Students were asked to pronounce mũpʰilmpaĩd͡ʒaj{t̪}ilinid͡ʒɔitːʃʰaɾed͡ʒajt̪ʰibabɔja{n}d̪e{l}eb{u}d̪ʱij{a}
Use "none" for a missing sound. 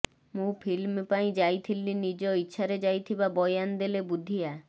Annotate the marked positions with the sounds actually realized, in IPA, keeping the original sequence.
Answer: t̪ʰ, n, l, u, a

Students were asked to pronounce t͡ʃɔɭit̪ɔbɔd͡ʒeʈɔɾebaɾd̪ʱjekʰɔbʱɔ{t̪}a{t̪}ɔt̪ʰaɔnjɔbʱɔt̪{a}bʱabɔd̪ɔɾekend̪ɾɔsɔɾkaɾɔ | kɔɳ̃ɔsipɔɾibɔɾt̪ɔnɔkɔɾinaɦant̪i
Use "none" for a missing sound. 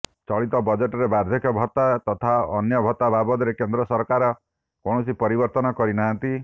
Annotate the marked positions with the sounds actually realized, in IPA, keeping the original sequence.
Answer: t̪, t̪, a

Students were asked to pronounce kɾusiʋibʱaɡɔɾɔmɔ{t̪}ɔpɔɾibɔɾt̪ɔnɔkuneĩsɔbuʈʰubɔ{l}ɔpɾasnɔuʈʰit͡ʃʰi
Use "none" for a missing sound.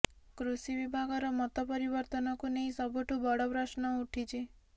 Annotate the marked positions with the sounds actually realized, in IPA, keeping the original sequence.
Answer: t̪, ɽ

